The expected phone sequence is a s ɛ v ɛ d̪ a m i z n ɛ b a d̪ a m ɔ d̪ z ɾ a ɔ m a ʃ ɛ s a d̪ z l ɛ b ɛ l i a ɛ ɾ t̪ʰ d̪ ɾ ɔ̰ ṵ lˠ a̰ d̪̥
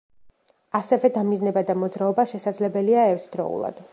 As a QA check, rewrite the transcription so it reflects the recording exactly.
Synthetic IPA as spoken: a s ɛ v ɛ d̪ a m i z n ɛ b a d̪ a m ɔ d̪ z ɾ a ɔ b a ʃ ɛ s a d̪ z l ɛ b ɛ l i a ɛ ɾ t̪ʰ d̪ ɾ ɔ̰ ṵ lˠ a̰ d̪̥